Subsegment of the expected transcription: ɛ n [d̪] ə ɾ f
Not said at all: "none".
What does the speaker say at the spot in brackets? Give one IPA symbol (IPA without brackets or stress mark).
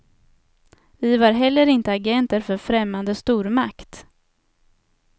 t̪